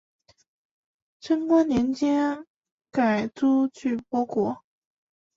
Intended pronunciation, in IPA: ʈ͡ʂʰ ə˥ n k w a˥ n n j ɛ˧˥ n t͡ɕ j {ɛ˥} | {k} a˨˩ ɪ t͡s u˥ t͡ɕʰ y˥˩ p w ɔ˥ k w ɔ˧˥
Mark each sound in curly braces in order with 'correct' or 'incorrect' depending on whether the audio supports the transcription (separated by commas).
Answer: correct, correct